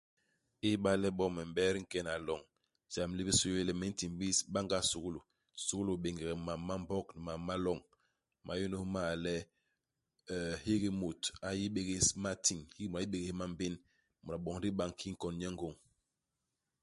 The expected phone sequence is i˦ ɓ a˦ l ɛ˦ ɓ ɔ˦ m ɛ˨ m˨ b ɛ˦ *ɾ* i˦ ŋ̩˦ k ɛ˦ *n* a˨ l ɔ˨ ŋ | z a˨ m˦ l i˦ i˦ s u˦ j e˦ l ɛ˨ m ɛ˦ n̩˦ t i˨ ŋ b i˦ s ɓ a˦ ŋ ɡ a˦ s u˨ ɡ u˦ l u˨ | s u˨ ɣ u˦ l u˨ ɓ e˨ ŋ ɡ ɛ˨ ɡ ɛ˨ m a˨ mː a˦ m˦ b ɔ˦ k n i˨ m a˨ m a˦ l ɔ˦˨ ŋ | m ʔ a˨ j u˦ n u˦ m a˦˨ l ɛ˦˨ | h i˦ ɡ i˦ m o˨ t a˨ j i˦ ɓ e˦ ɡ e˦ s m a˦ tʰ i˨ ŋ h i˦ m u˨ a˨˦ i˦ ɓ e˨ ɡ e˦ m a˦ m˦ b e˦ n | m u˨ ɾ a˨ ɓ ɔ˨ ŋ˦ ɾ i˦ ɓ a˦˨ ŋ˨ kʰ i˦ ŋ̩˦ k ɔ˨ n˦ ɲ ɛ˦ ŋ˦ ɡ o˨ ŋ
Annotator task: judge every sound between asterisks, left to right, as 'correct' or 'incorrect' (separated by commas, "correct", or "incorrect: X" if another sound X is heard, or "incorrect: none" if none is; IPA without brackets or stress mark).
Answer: correct, correct